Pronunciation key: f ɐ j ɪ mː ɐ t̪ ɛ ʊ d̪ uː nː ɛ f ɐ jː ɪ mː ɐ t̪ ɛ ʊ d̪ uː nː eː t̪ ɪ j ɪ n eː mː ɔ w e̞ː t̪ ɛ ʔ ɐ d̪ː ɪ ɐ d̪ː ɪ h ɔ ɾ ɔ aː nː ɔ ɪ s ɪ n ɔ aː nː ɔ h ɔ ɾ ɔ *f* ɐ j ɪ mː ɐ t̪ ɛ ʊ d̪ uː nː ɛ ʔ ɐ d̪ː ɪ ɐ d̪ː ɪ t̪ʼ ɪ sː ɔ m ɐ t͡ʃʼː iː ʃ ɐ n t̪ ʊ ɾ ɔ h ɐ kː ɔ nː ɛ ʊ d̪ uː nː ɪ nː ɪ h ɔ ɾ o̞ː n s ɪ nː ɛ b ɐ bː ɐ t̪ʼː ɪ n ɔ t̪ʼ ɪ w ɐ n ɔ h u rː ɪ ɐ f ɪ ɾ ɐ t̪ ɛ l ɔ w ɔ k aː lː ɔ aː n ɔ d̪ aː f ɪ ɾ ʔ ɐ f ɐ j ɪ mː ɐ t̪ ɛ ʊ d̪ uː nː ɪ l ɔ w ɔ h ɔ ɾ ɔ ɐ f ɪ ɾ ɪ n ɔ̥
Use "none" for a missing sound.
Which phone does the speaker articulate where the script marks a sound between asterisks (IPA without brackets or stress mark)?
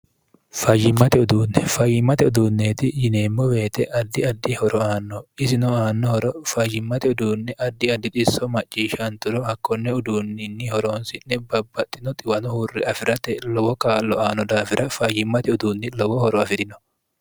f